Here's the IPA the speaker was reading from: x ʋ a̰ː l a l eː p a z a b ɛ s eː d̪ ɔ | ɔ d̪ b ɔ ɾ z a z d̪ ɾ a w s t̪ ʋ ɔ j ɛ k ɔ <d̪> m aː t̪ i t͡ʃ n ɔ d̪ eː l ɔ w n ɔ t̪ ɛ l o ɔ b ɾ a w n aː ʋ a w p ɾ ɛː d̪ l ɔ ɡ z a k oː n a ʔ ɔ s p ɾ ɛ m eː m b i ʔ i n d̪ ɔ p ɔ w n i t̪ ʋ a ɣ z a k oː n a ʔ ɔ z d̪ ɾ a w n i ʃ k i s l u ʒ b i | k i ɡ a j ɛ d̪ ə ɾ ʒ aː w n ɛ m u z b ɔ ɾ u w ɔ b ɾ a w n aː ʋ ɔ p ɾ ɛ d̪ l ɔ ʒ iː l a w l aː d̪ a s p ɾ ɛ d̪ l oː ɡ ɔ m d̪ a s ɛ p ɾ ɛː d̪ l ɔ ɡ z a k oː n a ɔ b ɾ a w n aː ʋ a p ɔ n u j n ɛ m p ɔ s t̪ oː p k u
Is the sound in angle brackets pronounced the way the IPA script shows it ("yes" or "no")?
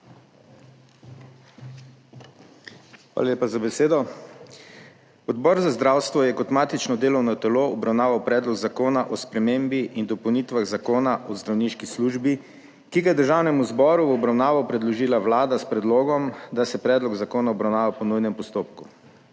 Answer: no